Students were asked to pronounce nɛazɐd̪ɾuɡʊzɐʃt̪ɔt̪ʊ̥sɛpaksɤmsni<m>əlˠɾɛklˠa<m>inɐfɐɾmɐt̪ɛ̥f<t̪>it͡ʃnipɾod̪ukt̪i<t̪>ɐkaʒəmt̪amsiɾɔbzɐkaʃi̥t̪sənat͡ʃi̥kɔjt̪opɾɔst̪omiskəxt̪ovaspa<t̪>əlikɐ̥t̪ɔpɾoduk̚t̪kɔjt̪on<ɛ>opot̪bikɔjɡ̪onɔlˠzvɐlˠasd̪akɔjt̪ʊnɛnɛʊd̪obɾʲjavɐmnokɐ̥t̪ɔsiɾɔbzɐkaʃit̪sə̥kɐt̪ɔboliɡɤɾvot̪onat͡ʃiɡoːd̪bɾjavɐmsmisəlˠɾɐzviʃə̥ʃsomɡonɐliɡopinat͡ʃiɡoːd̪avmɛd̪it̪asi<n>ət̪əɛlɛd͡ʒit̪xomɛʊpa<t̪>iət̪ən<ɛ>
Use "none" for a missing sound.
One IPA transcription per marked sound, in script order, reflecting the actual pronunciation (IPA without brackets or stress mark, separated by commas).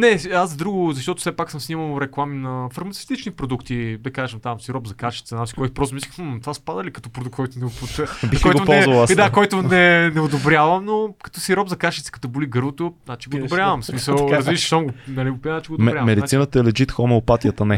m, m, t̪, d̪, d̪, ɛ, n, t̪, ɛ